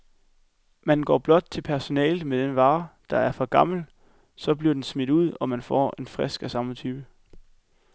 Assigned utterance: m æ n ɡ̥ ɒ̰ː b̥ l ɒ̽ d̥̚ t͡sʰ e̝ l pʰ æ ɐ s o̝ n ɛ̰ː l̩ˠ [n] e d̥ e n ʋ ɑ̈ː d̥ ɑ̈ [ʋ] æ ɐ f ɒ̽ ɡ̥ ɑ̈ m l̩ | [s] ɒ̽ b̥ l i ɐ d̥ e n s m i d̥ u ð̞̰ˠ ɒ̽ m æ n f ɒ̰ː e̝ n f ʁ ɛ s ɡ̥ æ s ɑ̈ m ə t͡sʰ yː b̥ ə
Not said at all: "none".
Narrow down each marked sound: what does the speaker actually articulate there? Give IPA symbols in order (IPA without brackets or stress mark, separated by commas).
m, none, s